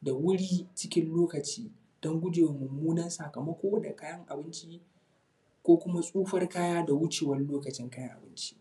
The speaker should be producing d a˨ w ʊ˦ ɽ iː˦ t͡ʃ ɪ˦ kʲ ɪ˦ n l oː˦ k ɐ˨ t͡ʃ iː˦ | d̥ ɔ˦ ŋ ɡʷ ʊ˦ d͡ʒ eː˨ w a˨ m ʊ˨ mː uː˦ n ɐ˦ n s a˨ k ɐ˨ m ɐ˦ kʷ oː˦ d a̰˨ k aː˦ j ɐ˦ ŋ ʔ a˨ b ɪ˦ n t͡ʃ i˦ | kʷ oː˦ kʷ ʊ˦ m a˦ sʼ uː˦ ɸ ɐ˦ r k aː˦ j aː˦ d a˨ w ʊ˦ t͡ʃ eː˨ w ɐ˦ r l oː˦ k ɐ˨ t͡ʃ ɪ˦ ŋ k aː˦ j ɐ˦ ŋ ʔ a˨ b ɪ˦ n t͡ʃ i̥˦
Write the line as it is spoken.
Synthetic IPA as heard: d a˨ w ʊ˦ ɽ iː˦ t͡ʃ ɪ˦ kʲ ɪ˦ n l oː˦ k ɐ˨ t͡ʃ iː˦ | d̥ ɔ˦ ŋ ɡʷ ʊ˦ d͡ʒ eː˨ w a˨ m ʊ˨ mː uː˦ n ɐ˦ n s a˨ k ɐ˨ m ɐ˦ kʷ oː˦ d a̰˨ k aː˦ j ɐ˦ ŋ ʔ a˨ b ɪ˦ n t͡ʃ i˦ | kʷ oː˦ kʷ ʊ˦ m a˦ sʼ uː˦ ɸ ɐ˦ r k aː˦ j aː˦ d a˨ w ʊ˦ t͡ʃ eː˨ w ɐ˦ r l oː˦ k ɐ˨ t͡ʃ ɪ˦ ŋ k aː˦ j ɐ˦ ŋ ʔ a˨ b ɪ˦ n t͡ʃ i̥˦